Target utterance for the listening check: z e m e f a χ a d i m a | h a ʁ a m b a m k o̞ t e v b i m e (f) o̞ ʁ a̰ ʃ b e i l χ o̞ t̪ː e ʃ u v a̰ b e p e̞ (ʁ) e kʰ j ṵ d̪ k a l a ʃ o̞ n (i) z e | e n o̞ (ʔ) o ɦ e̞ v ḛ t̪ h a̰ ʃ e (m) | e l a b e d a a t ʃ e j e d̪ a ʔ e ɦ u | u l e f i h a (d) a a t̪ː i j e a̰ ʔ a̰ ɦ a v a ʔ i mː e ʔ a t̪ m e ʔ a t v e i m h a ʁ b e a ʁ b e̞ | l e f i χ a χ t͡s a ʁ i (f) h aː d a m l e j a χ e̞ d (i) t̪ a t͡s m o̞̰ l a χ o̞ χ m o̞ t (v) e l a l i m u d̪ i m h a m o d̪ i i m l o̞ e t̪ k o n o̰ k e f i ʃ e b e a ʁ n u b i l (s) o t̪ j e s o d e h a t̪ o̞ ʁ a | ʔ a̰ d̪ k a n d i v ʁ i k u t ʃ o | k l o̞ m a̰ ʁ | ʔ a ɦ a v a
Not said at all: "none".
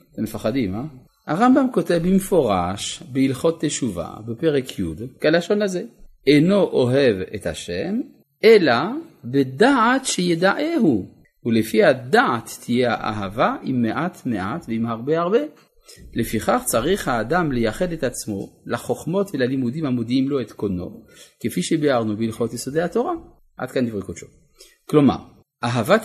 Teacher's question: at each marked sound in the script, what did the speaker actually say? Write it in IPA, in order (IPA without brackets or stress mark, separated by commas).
f, ʁ, a, ʔ, m, d, χ, e, v, χ